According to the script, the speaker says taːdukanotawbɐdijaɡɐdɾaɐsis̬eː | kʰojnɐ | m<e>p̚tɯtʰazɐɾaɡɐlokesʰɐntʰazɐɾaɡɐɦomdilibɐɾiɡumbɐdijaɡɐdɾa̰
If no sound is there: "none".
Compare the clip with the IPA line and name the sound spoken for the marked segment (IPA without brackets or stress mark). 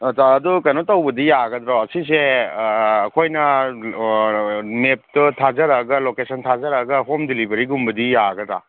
e